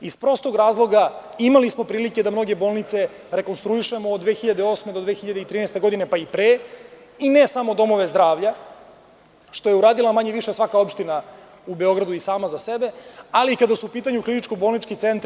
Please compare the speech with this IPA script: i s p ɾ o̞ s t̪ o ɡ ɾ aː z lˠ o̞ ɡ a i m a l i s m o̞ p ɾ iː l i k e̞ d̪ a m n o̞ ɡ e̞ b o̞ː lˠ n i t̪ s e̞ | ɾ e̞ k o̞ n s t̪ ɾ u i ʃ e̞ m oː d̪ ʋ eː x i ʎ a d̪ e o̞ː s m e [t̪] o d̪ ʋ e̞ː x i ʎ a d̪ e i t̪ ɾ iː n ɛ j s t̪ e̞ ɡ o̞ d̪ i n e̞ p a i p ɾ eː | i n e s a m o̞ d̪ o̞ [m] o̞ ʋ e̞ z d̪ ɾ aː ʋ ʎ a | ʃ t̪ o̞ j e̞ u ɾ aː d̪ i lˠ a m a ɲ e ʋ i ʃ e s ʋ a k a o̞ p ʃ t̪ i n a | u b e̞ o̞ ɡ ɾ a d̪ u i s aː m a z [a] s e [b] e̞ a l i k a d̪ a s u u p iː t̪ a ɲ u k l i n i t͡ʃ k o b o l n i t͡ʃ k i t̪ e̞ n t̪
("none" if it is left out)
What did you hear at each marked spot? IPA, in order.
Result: d̪, m, a, b

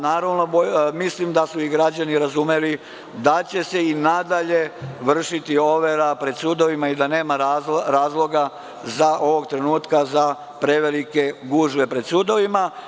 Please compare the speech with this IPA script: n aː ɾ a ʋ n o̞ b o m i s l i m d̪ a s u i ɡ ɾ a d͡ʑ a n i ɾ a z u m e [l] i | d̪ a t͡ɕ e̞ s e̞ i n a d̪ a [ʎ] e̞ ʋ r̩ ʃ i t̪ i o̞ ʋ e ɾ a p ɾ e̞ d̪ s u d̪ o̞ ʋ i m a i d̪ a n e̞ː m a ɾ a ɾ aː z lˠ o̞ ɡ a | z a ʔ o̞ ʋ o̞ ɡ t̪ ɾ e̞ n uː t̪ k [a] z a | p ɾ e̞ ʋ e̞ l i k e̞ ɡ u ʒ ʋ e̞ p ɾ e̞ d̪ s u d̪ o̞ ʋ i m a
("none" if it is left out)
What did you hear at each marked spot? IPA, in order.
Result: l, ʎ, a

